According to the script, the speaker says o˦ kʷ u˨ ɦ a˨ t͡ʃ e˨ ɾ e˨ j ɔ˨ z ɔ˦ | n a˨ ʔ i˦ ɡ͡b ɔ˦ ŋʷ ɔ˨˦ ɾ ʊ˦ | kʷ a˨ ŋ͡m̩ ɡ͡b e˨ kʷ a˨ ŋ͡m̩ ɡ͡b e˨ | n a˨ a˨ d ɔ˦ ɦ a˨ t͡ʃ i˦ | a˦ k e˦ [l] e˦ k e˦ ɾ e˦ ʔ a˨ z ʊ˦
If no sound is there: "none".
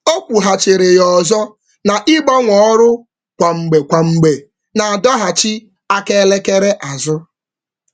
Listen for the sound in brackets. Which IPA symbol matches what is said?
l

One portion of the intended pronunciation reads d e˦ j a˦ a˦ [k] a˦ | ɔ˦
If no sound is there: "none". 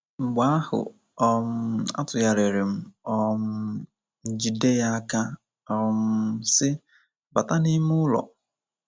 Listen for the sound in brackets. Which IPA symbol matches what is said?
k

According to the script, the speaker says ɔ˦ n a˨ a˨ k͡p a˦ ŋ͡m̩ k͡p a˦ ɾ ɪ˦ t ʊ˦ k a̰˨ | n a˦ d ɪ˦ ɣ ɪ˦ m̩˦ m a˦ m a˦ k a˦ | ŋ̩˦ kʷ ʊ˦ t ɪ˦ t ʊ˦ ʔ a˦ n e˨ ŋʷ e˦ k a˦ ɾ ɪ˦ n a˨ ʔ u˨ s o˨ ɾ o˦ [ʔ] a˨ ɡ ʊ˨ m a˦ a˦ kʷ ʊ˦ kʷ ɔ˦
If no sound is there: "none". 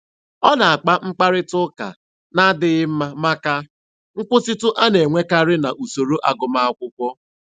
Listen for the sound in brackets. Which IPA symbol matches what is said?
ʔ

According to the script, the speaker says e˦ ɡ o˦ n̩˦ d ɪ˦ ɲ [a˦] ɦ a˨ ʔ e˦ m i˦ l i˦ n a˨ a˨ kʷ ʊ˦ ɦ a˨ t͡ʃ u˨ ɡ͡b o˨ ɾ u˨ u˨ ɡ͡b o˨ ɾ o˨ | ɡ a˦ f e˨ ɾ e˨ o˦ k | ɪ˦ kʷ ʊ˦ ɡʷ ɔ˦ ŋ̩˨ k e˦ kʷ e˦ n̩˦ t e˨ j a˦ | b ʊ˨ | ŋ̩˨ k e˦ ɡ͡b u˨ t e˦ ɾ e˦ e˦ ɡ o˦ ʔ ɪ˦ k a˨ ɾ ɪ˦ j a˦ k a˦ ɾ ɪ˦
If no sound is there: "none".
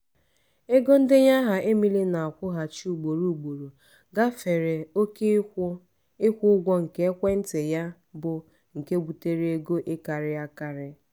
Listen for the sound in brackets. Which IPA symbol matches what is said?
a˦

